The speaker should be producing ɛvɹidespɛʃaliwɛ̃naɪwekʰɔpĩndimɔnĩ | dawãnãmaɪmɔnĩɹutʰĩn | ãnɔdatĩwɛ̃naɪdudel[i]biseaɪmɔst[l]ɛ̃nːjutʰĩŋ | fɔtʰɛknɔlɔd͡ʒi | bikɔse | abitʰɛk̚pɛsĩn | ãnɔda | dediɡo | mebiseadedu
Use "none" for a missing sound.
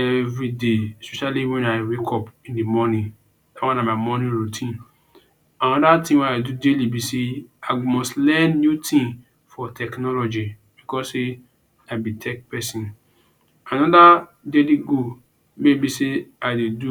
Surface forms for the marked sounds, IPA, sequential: i, l

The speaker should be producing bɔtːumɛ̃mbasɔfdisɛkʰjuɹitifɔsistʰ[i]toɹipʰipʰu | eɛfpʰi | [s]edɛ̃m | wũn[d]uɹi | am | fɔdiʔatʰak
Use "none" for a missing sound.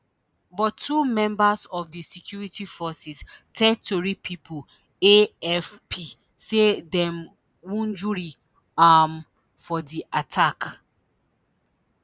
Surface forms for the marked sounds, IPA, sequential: ɛ, s, d͡ʒ

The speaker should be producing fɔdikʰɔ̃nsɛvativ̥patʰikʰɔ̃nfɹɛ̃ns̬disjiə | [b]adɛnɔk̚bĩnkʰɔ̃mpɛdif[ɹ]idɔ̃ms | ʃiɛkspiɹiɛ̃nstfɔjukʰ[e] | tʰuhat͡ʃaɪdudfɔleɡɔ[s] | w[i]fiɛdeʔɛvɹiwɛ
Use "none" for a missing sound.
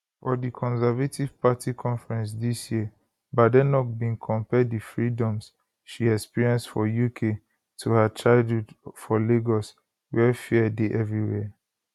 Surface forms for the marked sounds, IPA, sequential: b, ɹ, e, s, ɛ

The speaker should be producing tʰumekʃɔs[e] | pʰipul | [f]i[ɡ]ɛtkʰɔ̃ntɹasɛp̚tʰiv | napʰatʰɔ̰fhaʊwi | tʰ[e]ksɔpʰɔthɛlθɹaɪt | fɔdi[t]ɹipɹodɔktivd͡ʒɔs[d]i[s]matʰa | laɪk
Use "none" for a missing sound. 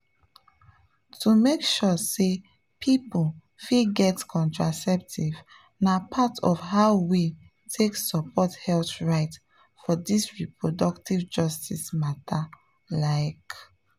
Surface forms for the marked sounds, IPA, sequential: e, f, ɡ, e, s, t, s

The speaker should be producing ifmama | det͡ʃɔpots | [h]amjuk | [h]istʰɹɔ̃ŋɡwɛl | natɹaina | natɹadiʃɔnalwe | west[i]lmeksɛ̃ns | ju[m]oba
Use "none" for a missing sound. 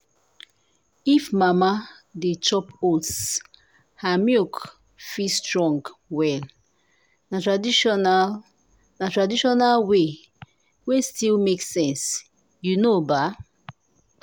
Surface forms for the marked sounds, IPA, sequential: h, f, i, n

